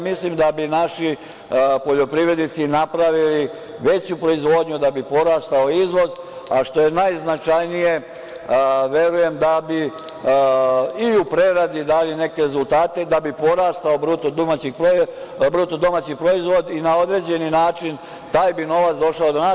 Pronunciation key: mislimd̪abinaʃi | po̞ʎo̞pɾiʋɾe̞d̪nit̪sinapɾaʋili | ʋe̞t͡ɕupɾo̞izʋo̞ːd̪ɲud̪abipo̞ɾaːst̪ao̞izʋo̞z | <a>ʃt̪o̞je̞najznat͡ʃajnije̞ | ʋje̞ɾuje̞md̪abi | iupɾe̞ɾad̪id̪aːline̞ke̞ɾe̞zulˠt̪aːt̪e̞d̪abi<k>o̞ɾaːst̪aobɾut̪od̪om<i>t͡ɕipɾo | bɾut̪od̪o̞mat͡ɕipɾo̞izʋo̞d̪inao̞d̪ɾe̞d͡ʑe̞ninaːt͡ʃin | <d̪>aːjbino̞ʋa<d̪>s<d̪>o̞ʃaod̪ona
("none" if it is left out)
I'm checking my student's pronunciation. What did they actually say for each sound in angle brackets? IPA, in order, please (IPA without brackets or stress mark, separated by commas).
a, p, a, t̪, t̪, d̪